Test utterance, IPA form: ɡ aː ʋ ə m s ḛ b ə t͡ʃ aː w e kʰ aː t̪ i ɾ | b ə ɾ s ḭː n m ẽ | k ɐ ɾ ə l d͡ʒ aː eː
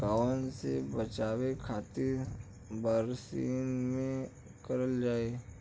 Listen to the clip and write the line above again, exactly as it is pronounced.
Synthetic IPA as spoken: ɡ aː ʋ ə n s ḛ b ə t͡ʃ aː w e kʰ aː t̪ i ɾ | b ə ɾ s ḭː n m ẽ | k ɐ ɾ ə l d͡ʒ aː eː